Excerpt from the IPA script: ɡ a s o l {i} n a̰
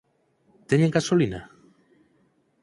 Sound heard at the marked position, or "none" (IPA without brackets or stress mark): i